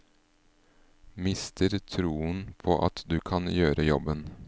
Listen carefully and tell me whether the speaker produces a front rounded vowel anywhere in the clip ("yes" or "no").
yes